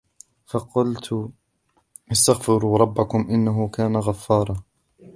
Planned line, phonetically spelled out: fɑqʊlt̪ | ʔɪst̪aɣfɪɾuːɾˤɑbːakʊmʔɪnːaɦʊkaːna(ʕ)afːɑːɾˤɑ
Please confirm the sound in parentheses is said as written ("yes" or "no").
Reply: no